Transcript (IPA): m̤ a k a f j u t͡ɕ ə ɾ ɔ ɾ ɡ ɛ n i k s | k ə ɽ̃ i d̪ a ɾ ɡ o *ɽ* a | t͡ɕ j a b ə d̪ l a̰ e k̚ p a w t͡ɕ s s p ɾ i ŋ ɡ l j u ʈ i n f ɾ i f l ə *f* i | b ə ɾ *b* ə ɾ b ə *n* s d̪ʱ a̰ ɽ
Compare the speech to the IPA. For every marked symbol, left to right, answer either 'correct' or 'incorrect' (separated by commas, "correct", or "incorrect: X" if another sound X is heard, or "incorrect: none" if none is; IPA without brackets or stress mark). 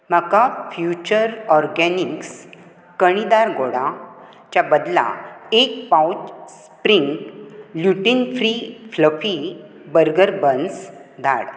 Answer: correct, correct, incorrect: ɡ, correct